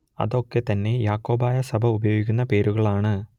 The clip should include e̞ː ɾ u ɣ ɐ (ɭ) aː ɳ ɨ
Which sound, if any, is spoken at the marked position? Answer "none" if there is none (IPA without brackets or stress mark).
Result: ɭ